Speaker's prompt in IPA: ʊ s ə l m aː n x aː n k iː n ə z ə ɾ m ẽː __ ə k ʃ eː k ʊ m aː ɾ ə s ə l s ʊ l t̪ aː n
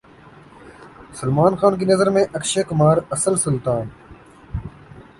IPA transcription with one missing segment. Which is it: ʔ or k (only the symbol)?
ʔ